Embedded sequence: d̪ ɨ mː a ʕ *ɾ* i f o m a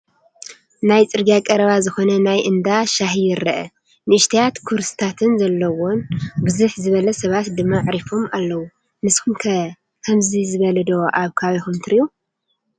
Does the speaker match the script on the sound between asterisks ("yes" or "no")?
yes